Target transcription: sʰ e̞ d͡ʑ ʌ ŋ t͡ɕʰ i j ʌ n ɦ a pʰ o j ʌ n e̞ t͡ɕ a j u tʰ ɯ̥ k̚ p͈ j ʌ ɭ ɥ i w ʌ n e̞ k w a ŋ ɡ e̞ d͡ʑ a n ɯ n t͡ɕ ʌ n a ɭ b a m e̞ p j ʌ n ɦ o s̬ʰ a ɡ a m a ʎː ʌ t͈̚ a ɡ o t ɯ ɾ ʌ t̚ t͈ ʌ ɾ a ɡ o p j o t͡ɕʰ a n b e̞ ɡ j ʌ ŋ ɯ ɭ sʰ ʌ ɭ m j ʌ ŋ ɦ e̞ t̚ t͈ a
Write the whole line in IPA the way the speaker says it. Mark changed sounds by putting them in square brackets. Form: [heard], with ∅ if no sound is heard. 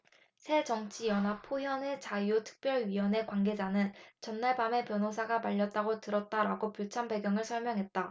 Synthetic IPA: sʰ e̞ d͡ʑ ʌ ŋ t͡ɕʰ i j ʌ n ɦ a pʰ o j ʌ n e̞ t͡ɕ a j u tʰ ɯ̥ k̚ p͈ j ʌ ɭ ɥ i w ʌ n e̞ k w a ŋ ɡ e̞ d͡ʑ a n ɯ n t͡ɕ ʌ [nː] a ɭ b a m e̞ p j ʌ n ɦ o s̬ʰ a ɡ a m a ʎː ʌ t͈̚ a ɡ o t ɯ ɾ ʌ t̚ t͈ [a] ɾ a ɡ o p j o t͡ɕʰ a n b e̞ ɡ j ʌ ŋ ɯ ɭ sʰ ʌ ɭ m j ʌ ŋ ɦ e̞ t̚ t͈ a